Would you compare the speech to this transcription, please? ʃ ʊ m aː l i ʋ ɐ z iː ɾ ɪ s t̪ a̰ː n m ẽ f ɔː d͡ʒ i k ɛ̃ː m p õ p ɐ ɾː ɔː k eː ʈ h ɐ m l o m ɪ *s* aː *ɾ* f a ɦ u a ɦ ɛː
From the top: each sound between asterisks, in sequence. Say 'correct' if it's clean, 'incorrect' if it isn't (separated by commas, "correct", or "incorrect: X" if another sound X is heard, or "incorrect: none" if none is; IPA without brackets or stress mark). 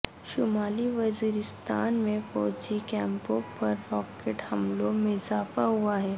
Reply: incorrect: z, incorrect: none